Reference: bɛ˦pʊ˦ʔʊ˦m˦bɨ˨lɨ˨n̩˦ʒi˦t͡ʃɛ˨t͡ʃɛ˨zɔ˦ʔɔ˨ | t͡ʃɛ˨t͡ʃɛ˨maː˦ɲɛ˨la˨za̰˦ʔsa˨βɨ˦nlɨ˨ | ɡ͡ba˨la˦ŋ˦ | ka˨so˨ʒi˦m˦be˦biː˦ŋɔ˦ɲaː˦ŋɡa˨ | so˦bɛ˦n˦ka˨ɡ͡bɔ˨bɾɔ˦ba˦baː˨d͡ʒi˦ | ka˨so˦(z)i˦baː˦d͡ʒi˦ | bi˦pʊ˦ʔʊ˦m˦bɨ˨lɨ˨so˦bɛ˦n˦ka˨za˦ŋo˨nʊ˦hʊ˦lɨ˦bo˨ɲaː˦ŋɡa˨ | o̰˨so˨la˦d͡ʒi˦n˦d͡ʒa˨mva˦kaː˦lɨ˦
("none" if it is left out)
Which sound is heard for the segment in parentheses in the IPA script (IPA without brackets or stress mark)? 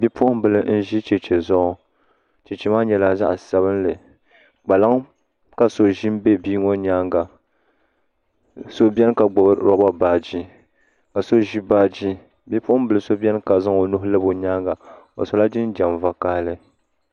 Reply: ʒ